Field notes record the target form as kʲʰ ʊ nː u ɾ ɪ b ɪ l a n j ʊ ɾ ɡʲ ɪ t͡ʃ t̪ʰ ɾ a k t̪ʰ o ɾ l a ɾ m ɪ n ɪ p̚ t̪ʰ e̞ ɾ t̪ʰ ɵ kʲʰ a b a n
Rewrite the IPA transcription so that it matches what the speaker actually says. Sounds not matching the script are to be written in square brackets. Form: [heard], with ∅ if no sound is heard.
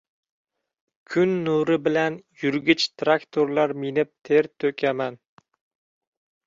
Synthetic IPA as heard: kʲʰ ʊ nː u ɾ ɪ b ɪ l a n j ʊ ɾ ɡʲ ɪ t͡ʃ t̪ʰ ɾ a k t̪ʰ o ɾ l a ɾ m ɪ n ɪ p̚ t̪ʰ e̞ ɾ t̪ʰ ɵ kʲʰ a [m] a n